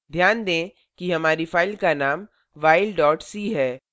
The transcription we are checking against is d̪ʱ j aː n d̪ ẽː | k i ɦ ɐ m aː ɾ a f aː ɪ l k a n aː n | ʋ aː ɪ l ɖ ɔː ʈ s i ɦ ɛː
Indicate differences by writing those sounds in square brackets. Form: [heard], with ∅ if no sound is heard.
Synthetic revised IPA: d̪ʱ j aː n d̪ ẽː | k i ɦ ɐ m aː ɾ [i] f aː ɪ l k a n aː [m] | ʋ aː ɪ l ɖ ɔː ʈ s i ɦ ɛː